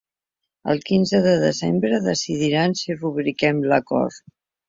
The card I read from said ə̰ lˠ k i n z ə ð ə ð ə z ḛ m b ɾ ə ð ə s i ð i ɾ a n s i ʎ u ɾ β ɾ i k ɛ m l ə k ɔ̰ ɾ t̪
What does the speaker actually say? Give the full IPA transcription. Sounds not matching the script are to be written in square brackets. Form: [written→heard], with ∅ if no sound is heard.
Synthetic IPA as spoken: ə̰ lˠ k i n z ə ð ə ð ə z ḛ m b ɾ ə ð ə s i ð i ɾ a n s i [ʎ→r] u [ɾ→∅] β ɾ i k ɛ m l ə k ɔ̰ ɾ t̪